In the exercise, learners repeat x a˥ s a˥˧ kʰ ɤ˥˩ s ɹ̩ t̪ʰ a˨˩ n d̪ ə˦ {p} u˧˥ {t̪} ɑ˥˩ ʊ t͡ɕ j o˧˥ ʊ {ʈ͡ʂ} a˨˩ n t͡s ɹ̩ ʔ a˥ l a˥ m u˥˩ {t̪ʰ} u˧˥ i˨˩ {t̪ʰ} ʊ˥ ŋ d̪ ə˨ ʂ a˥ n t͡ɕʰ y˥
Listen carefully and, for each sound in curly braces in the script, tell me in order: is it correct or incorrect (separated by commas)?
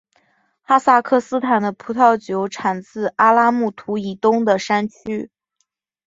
incorrect, incorrect, incorrect, correct, incorrect